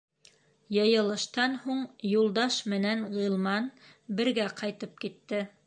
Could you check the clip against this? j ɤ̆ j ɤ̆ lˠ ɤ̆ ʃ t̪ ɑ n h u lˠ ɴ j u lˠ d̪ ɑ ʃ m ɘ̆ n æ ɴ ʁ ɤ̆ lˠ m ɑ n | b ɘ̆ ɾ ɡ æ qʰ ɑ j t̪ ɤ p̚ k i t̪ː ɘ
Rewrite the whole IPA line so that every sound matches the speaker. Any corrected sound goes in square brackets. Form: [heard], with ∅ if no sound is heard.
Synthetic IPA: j ɤ̆ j ɤ̆ lˠ ɤ̆ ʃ t̪ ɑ n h u [∅] ɴ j u lˠ d̪ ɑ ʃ m ɘ̆ n æ [n] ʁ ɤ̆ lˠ m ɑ n | b ɘ̆ ɾ ɡ æ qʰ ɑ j t̪ ɤ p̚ k i t̪ː ɘ